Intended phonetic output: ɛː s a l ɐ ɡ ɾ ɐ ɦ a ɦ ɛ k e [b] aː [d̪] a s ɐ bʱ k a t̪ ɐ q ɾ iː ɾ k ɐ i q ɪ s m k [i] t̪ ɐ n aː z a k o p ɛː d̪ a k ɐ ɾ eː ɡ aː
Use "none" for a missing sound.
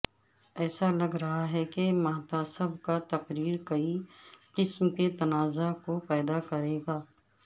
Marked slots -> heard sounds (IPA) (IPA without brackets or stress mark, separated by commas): m, t̪, e